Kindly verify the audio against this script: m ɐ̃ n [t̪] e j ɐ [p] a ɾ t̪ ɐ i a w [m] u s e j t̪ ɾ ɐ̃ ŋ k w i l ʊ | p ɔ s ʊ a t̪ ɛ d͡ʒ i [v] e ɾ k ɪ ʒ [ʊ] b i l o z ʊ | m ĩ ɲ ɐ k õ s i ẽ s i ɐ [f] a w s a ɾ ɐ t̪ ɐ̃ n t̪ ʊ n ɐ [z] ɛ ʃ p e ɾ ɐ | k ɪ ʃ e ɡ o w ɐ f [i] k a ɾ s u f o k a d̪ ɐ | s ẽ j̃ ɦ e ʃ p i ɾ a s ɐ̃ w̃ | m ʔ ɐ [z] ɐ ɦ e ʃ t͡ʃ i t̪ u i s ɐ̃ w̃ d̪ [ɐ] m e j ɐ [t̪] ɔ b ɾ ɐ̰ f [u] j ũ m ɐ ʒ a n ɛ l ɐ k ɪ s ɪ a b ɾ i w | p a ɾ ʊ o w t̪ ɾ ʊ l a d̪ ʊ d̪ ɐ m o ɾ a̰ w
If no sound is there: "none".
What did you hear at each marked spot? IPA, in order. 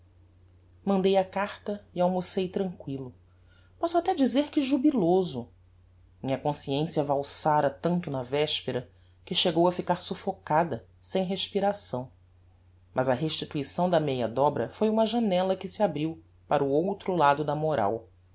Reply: d̪, k, m, z, u, v, v, i, z, ɐ, d̪, o

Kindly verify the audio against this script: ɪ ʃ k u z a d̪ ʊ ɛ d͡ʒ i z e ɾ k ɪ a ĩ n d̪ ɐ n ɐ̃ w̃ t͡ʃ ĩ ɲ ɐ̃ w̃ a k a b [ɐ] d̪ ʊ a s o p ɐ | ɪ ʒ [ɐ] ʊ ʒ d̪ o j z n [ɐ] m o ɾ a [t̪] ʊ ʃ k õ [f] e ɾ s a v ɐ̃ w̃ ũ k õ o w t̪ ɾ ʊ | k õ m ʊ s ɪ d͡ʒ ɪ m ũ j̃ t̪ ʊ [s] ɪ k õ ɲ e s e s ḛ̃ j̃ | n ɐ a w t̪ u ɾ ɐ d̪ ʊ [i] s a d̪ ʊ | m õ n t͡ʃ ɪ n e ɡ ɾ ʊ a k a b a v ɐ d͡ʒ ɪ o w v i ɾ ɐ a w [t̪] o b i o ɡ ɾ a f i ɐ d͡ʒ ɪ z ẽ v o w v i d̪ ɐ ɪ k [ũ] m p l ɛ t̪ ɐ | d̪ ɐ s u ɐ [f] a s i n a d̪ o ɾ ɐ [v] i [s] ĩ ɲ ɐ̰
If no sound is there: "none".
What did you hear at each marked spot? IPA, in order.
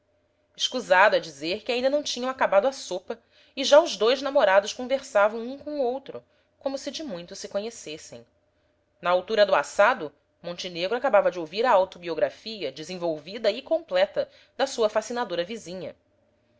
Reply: a, a, a, d̪, v, s, a, t̪, õ, f, v, z

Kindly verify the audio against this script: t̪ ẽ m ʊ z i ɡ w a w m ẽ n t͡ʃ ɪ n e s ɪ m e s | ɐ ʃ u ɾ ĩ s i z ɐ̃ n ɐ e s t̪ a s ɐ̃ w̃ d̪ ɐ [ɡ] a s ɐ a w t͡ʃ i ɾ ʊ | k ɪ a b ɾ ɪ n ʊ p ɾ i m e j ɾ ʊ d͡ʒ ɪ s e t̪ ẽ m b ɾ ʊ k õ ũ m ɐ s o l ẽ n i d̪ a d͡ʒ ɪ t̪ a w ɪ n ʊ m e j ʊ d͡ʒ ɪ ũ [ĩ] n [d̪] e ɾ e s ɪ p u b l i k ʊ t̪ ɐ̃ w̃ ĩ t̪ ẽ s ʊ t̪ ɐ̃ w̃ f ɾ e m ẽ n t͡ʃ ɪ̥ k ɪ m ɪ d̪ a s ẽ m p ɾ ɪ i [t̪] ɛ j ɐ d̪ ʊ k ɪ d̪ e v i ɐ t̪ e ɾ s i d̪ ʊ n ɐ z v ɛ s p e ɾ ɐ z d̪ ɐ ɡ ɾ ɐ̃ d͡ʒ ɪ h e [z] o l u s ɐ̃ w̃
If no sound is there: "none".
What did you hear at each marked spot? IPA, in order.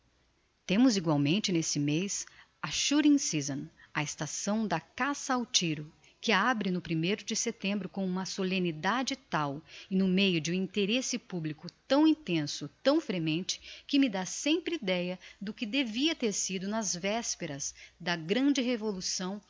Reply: k, ĩ, t̪, d̪, v

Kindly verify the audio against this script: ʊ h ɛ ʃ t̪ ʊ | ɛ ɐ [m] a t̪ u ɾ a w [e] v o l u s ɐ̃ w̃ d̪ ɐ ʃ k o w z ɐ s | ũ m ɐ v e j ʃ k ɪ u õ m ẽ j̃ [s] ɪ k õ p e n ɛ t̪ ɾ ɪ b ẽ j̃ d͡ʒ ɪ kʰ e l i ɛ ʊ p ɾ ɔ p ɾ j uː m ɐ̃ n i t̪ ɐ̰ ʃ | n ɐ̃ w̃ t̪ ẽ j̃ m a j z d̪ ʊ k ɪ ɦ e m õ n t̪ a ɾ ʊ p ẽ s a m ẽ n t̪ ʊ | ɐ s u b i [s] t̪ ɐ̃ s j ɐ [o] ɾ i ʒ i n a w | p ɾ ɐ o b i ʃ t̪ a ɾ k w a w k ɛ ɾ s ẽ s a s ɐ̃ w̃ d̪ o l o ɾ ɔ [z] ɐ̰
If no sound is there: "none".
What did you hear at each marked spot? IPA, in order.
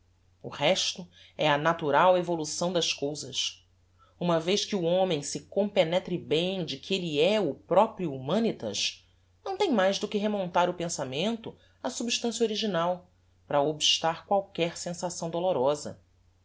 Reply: n, e, s, ʃ, o, z

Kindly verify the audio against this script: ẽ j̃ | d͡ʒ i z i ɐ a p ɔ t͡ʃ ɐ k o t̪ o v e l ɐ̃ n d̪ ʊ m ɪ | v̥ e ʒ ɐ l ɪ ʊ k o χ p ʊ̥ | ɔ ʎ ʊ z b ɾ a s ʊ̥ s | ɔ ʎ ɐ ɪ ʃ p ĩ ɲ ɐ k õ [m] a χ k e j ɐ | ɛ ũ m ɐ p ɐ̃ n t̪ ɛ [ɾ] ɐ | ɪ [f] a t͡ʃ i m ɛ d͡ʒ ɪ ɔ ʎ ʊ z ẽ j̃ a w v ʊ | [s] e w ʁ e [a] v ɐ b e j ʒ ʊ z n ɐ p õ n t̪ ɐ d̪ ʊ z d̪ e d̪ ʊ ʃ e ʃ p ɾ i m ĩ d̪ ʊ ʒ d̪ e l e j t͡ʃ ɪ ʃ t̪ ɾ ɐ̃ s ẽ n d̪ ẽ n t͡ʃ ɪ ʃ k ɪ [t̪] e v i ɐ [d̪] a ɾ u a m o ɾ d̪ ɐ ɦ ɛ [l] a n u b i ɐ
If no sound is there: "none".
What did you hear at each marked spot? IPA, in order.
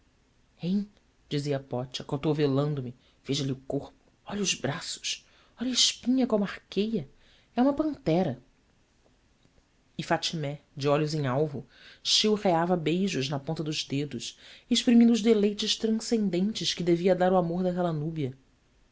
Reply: m, ɾ, f, ʃ, a, d̪, d̪, l

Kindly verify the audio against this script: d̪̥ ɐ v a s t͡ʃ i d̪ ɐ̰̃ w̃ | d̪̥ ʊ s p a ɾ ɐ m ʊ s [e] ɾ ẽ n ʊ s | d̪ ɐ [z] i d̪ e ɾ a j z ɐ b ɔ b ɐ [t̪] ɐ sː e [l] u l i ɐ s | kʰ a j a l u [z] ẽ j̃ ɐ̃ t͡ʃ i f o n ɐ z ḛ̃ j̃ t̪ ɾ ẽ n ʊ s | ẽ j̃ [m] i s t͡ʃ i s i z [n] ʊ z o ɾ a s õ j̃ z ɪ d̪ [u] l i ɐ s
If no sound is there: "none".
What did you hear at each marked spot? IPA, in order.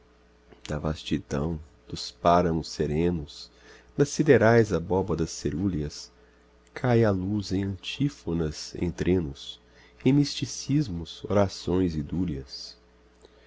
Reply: e, s, d̪, ɾ, z, m, m, u

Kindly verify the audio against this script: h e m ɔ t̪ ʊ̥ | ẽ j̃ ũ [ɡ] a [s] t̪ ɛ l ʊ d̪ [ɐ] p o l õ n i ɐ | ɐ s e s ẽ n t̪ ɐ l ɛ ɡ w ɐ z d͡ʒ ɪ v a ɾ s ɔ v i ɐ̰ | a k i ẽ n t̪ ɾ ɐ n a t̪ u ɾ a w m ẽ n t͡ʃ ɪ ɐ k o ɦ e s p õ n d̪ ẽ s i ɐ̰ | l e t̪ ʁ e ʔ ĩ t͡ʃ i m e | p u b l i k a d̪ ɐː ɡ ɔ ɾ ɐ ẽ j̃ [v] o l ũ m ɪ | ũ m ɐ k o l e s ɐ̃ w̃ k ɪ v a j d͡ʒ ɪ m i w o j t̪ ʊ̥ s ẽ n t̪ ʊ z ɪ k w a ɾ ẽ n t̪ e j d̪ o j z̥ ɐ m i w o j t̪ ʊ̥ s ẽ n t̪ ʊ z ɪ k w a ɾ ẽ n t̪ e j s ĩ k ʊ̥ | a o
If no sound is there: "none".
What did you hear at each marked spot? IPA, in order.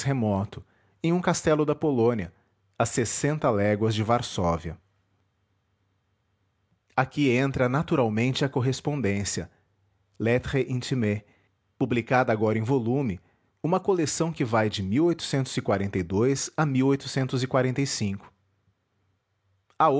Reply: k, s, ɐ, v

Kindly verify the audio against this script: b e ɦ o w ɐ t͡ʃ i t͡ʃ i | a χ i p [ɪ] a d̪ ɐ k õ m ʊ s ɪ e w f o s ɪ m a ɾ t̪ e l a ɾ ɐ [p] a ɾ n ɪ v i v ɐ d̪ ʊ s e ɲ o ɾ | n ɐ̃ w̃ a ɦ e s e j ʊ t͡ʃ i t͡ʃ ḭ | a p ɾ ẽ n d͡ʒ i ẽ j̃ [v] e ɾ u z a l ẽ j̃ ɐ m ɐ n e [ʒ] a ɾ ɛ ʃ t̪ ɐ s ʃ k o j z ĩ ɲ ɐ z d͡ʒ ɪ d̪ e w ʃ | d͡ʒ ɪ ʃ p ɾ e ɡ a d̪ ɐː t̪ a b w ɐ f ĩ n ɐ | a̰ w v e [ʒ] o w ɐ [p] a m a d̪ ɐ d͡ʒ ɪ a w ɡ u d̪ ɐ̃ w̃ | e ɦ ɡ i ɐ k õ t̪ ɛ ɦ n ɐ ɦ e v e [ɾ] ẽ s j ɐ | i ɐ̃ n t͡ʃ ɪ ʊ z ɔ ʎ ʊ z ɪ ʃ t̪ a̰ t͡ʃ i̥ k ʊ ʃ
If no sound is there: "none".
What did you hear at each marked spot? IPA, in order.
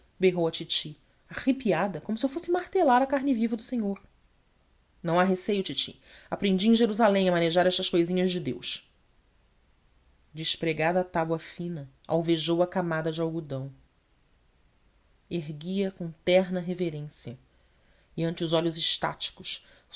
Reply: i, k, ʒ, ʒ, ʒ, k, ɾ

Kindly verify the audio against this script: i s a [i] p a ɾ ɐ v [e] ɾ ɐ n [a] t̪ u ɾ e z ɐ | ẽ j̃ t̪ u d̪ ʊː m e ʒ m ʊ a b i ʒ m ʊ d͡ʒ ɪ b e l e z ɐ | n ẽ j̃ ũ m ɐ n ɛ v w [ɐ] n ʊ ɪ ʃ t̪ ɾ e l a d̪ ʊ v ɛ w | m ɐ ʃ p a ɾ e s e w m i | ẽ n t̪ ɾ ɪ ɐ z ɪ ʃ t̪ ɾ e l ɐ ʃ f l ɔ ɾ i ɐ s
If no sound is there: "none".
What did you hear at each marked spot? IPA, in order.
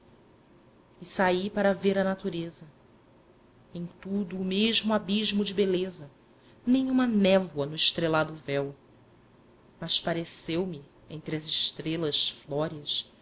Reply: i, e, a, ɐ

